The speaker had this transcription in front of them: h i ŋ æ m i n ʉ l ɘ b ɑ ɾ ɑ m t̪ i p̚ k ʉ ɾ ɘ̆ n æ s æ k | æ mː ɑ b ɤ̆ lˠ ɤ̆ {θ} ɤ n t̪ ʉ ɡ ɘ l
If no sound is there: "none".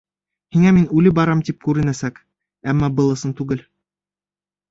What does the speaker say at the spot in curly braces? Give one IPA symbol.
s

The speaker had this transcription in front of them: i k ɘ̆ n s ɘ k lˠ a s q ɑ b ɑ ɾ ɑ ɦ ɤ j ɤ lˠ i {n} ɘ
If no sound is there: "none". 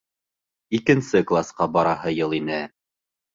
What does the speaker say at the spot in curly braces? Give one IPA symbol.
n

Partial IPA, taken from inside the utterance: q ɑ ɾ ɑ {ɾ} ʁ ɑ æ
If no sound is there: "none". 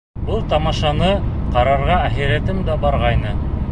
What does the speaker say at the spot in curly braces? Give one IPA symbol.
ɾ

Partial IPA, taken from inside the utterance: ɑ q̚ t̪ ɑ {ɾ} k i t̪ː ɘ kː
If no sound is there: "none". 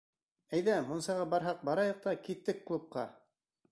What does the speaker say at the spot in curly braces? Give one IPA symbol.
none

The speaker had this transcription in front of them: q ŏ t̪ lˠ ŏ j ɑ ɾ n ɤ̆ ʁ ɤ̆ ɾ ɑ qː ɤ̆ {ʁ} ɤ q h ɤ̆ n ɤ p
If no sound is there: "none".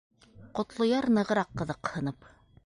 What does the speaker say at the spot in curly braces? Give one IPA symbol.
ð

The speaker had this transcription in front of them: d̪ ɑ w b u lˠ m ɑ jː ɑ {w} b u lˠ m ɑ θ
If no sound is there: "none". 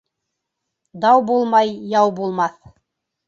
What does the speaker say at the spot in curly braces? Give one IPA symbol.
w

